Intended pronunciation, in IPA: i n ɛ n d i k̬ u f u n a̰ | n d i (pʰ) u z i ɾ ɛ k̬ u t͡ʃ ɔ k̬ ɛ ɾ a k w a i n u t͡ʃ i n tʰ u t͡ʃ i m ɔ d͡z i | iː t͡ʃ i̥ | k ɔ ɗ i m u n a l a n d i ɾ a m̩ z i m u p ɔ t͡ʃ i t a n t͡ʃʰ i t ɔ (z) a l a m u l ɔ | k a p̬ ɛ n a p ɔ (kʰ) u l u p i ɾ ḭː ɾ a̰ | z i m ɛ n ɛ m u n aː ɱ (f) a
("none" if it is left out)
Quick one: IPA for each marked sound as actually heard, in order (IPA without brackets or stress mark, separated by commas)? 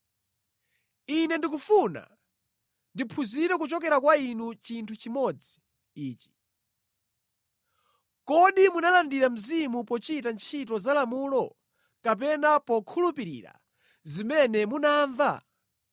pʰ, z, kʰ, v